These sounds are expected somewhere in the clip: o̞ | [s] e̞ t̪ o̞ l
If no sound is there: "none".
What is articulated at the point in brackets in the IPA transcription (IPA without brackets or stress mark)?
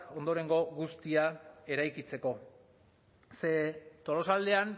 s